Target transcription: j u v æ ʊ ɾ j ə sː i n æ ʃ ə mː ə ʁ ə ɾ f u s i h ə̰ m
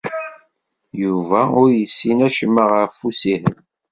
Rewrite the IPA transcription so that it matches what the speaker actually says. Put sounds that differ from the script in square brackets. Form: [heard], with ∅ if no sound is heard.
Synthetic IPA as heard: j u v æ ʊ ɾ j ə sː i n æ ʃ ə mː ə ʁ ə ɾ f u s i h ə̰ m